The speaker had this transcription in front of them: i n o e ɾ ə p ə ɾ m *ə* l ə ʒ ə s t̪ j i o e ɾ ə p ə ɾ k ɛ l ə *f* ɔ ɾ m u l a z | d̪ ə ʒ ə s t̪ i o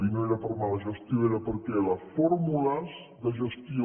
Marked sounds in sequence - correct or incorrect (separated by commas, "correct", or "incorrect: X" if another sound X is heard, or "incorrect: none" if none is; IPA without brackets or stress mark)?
incorrect: a, correct